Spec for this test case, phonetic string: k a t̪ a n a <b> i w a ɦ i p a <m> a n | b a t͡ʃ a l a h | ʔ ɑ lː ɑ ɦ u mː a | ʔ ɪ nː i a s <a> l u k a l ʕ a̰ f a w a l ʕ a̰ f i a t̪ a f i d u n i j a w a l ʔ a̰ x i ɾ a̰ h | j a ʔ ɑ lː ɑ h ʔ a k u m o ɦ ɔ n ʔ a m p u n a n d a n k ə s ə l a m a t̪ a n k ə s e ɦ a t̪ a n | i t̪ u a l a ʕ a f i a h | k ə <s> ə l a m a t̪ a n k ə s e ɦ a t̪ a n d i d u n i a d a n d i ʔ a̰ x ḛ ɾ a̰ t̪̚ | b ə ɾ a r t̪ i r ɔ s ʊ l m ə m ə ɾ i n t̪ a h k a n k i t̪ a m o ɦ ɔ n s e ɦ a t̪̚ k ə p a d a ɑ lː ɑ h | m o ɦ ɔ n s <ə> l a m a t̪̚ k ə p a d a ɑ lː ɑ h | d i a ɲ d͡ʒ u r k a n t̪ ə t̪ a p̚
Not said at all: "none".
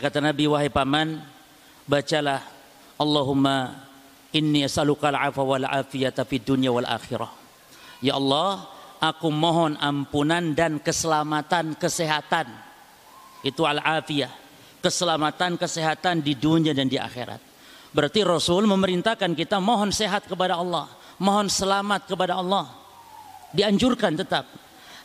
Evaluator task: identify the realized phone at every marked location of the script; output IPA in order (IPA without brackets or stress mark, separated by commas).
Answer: b, m, a, s, ə